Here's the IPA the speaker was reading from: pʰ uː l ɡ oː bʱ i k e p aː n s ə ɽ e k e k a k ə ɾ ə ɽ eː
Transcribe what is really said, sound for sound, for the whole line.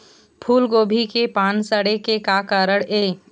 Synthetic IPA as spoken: pʰ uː l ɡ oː bʱ i k e p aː n s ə ɽ e k e k a k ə ɾ ə ɽ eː